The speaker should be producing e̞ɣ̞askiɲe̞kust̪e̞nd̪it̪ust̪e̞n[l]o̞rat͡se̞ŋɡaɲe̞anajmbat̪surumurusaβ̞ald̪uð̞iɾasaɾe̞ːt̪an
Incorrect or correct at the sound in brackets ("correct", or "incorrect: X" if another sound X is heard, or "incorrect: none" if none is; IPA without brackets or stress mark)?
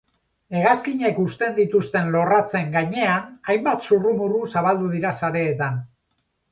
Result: correct